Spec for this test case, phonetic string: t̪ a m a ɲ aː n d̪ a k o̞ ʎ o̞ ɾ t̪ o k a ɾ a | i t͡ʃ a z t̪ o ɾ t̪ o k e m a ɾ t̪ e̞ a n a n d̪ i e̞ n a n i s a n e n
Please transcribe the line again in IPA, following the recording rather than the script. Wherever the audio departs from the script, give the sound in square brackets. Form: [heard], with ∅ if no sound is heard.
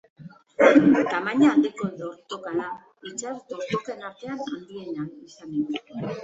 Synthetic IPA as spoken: t̪ a m a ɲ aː n d̪ [i] k o̞ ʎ o̞ ɾ t̪ o k a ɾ a | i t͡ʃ a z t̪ o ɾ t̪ o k e [n] a ɾ t̪ e̞ a n a n d̪ i e̞ n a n i s a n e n